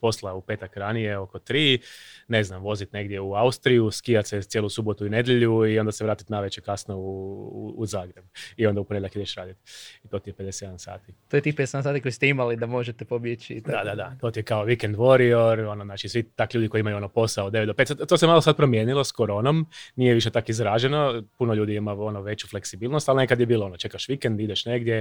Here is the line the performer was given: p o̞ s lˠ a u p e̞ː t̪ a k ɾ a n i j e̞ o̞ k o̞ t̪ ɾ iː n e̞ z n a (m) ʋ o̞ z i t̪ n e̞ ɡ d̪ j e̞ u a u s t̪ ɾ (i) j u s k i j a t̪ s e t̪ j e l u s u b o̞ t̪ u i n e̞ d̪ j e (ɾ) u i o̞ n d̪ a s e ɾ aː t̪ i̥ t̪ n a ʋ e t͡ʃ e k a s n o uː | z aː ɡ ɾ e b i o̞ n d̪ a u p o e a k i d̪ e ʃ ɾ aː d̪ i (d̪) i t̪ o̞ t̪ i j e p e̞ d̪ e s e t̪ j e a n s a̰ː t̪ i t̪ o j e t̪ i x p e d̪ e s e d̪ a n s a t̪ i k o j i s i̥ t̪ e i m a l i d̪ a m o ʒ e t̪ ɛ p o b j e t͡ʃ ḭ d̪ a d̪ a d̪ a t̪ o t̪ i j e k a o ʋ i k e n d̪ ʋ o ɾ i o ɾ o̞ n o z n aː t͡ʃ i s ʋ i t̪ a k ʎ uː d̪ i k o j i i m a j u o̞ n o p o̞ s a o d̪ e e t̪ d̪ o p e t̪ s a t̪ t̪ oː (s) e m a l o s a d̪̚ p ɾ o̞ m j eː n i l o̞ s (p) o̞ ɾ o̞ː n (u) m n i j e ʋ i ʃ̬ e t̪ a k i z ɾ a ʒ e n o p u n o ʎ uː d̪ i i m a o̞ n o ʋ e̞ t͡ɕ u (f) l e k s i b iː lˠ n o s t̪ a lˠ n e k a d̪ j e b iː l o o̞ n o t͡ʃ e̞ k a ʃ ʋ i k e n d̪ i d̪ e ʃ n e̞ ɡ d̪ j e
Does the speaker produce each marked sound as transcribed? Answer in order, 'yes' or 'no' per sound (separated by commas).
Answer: yes, yes, no, no, yes, no, no, yes